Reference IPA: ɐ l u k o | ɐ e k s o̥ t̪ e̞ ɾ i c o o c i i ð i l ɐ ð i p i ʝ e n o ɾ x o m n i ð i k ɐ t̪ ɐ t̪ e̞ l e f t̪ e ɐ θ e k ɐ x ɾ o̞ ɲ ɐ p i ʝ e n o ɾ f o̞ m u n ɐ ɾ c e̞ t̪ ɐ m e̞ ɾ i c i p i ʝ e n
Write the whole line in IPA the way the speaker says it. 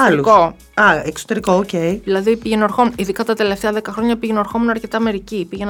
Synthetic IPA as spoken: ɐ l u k o | ɐ e k s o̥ t̪ e̞ ɾ i k o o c e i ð i l ɐ ð i p i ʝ e n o ɾ x o m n i ð i k ɐ t̪ ɐ t̪ e̞ l e f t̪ e ɐ ð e k ɐ x ɾ o̞ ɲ ɐ p i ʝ e n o ɾ x o̞ m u n ɐ ɾ c e̞ t̪ ɐ m e̞ ɾ i c i p i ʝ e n